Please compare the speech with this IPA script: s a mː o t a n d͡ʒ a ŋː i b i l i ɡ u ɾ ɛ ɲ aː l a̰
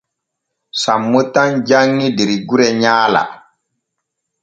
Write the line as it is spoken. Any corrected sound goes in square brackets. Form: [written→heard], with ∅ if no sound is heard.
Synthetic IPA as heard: s a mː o t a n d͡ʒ a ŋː i [b→d] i [l→ɾ] i ɡ u ɾ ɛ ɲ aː l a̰